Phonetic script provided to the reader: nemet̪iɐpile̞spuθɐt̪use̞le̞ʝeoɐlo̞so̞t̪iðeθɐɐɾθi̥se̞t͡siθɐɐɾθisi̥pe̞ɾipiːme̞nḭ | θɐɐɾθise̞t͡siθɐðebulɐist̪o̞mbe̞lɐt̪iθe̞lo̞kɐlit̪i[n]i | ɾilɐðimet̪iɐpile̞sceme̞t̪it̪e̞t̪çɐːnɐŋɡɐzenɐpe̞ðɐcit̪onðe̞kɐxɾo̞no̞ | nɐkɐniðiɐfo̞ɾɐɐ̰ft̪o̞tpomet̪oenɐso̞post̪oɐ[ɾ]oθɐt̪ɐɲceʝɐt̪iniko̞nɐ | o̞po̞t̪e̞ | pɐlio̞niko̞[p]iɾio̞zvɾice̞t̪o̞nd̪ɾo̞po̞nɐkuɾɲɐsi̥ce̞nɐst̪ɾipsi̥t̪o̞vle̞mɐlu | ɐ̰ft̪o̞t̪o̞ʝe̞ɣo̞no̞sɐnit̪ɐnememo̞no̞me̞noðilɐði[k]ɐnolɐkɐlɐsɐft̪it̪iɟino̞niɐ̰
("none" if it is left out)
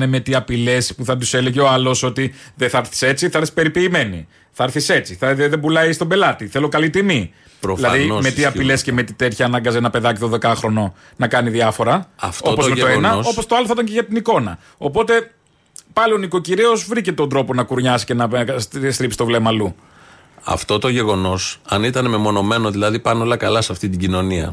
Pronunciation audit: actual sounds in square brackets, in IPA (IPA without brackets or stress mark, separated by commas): m, l, c, p